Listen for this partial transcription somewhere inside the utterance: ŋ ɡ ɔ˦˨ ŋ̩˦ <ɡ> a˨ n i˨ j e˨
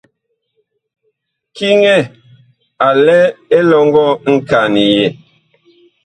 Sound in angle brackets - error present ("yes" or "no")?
yes